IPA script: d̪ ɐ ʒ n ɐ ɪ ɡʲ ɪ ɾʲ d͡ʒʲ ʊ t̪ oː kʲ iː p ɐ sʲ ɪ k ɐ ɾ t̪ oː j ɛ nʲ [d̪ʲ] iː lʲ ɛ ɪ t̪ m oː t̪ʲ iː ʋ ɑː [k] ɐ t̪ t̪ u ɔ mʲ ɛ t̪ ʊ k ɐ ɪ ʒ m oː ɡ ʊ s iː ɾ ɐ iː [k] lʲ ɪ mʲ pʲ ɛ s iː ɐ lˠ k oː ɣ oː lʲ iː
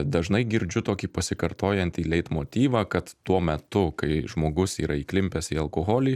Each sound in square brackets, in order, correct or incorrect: incorrect, correct, correct

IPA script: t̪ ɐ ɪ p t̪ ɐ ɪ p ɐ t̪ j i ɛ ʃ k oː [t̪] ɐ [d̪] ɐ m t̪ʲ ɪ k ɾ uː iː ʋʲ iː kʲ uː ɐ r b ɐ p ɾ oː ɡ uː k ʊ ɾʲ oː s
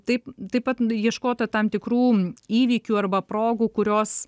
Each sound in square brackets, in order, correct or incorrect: correct, incorrect

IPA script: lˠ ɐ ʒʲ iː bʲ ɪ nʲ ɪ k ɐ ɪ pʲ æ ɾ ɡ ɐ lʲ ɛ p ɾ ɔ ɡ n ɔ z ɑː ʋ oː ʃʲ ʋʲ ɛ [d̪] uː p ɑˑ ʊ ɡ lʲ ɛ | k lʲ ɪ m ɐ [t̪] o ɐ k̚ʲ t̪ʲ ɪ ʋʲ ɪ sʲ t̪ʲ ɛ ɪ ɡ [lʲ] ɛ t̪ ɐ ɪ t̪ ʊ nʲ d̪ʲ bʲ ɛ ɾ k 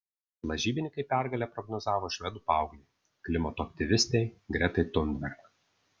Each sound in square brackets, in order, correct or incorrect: correct, correct, incorrect

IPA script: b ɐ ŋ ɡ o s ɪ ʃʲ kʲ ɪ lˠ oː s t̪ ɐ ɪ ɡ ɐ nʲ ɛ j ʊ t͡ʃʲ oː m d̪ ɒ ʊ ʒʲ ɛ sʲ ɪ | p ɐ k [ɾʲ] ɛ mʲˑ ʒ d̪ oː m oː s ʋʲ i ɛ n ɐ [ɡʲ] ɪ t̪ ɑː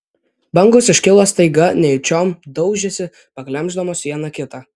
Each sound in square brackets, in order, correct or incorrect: incorrect, incorrect

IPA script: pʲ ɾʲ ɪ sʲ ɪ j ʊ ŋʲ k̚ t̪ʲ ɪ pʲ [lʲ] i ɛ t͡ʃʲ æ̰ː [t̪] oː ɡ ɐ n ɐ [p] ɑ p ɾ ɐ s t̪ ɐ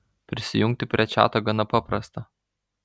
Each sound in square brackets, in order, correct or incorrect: incorrect, correct, correct

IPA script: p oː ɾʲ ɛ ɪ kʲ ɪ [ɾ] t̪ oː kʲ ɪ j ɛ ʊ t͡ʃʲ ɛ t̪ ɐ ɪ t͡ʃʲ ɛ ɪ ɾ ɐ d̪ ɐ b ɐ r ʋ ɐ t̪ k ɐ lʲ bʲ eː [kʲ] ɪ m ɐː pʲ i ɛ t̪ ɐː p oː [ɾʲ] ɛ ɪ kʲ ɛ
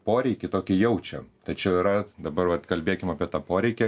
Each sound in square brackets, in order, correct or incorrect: incorrect, correct, correct

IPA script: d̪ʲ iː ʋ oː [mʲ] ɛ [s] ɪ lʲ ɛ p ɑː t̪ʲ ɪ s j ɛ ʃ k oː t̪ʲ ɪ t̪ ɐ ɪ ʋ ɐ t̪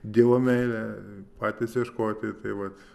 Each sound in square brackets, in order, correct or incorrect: correct, incorrect

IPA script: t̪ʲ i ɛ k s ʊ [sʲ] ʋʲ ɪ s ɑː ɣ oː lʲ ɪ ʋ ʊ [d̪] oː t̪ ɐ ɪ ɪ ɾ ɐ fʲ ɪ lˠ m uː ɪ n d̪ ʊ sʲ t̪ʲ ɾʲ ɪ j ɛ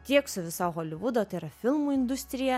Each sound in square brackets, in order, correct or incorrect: incorrect, correct

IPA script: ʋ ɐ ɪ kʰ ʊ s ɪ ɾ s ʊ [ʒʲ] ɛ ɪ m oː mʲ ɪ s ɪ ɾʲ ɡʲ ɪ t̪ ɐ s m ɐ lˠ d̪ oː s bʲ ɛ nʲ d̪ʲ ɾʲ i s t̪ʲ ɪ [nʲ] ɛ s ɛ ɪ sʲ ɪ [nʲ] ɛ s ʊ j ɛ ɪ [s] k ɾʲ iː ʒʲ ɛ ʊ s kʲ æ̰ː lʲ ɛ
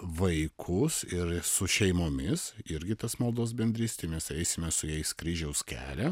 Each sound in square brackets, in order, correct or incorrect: incorrect, incorrect, incorrect, correct

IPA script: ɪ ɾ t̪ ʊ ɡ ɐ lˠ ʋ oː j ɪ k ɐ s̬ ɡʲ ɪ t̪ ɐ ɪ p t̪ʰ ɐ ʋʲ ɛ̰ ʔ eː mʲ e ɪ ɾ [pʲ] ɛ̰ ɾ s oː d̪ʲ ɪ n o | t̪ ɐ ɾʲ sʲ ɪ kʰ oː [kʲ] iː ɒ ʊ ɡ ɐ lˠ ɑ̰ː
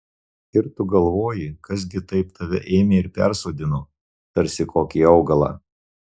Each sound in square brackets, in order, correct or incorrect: correct, correct

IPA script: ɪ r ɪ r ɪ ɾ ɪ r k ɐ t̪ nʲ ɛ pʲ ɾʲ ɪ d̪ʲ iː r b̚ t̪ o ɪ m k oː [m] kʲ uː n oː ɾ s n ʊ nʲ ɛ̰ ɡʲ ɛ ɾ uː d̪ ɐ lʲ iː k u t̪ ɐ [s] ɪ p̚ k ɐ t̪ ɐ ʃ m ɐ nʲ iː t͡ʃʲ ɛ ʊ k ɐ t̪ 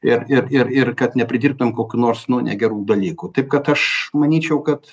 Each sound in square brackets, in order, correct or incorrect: incorrect, incorrect

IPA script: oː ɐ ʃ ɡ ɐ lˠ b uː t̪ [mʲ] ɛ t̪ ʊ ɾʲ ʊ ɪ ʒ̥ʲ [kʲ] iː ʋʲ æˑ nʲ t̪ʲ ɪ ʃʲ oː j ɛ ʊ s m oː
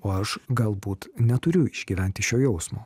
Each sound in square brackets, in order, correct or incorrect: incorrect, incorrect

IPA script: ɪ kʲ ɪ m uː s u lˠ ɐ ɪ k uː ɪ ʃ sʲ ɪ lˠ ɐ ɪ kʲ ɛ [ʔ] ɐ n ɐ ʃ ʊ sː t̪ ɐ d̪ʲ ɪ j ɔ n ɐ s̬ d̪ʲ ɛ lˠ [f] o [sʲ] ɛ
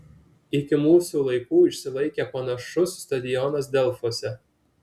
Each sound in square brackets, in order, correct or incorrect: incorrect, correct, correct

